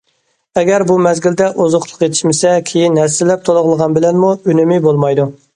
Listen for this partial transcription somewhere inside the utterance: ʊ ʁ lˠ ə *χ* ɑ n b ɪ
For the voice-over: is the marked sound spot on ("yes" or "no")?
no